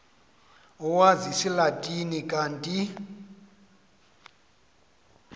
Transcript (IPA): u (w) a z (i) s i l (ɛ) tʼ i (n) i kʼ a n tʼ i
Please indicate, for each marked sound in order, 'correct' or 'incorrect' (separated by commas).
correct, correct, incorrect, correct